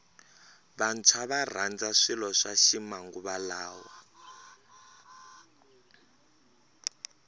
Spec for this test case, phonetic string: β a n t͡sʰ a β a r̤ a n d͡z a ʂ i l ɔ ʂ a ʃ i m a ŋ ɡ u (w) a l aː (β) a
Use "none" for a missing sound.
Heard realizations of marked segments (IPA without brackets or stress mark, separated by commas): β, w